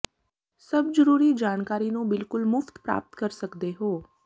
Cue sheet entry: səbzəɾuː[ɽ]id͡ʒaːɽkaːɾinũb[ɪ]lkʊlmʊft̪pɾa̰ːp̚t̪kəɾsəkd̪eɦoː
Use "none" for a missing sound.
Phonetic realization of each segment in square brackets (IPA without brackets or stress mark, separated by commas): ɾ, ɪ